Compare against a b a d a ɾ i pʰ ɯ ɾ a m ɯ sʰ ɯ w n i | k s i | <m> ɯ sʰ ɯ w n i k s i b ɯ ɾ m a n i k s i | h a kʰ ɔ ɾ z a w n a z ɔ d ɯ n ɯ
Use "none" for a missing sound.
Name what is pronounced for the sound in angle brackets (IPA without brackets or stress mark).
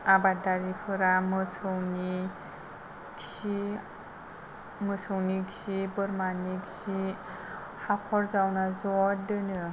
m